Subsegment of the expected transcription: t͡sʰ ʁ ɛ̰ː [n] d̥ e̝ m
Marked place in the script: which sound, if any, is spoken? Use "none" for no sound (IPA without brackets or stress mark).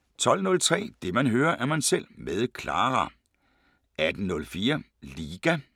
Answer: none